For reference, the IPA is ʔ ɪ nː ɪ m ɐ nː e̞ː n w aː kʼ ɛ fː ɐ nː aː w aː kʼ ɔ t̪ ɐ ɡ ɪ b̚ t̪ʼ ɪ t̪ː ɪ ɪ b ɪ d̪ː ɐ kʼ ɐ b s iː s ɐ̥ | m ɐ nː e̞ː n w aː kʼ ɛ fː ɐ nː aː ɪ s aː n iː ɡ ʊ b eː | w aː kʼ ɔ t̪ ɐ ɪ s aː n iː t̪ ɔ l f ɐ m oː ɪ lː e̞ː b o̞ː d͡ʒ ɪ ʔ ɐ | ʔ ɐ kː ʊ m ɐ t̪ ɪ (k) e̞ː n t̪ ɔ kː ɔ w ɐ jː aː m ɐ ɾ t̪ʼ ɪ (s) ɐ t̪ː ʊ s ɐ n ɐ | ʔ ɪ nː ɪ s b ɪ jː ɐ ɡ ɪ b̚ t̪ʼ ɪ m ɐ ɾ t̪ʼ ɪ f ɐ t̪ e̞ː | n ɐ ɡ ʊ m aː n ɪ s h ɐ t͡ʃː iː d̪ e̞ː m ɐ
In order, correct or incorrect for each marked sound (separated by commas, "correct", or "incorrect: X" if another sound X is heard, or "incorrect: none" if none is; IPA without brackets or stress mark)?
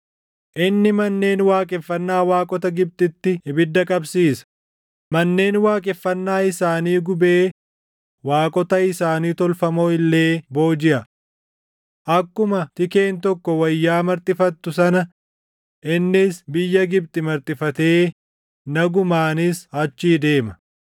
correct, incorrect: f